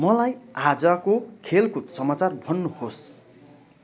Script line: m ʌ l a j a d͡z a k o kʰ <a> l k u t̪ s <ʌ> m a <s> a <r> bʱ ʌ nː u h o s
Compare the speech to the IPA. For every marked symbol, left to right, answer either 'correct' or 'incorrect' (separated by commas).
incorrect, correct, incorrect, correct